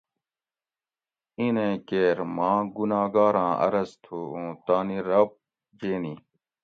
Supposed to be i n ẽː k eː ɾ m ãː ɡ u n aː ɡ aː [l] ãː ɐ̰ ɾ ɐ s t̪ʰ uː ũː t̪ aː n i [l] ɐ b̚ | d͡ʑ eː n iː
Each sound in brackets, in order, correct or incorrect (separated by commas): incorrect, incorrect